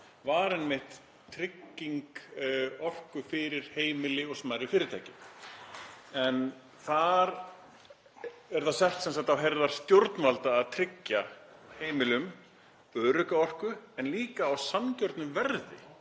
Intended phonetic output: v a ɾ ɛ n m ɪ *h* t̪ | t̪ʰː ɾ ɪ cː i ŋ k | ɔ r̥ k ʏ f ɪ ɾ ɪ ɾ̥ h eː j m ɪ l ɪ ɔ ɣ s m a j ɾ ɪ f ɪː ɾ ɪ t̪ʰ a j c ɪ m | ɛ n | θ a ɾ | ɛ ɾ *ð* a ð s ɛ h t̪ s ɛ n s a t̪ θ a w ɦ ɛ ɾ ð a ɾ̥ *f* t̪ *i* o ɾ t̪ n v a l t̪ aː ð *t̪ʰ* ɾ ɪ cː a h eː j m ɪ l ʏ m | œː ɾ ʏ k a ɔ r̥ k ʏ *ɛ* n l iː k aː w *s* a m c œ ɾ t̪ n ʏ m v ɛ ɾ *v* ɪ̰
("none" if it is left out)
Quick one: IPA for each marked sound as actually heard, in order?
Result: h, θ, s, j, t̪ʰ, ɛ, s, ð

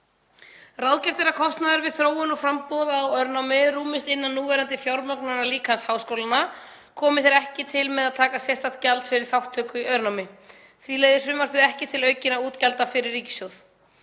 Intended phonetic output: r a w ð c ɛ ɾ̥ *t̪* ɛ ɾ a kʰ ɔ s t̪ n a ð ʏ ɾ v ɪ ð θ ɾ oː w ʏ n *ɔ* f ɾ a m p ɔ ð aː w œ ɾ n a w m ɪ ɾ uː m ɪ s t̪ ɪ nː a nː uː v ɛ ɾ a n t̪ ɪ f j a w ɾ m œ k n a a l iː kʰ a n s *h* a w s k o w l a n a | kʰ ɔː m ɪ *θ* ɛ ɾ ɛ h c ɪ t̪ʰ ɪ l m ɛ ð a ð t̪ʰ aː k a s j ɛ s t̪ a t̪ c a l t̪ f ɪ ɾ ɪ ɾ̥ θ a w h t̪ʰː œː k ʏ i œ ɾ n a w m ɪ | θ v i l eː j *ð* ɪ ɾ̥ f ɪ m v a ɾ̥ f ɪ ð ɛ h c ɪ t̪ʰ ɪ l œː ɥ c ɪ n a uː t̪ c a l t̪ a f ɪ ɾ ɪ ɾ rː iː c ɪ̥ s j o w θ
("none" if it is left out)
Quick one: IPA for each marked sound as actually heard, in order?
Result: t̪, ɔ, h, θ, ð

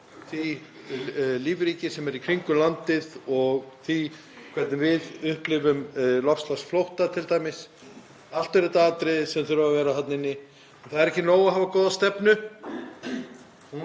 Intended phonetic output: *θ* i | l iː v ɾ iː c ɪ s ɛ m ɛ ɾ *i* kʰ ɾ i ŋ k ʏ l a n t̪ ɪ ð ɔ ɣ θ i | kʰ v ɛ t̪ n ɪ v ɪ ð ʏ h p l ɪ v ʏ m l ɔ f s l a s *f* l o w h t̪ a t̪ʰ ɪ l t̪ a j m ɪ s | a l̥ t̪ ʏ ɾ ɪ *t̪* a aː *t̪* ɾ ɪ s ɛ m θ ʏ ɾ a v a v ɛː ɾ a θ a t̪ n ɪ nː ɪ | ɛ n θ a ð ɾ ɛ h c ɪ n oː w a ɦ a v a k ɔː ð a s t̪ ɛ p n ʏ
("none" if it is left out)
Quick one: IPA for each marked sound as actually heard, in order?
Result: θ, i, f, t̪, t̪

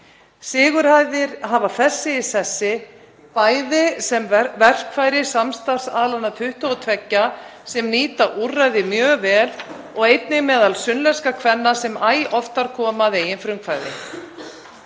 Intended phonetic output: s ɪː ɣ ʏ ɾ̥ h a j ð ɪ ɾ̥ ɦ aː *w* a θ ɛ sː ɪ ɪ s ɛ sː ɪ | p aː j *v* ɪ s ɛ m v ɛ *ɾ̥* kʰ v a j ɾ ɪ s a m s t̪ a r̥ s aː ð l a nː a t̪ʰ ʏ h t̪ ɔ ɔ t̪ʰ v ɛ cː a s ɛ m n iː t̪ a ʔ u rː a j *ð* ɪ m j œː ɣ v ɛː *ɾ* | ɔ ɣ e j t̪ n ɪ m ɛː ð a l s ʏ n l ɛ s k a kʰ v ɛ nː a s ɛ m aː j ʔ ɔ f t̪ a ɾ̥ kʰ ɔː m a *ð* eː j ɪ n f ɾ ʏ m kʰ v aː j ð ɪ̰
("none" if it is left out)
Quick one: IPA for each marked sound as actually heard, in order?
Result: v, ð, r̥, ð, l, ð

